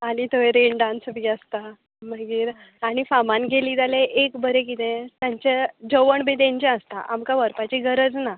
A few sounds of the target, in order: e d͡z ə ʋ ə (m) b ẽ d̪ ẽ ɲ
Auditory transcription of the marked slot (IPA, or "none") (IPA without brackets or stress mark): ɳ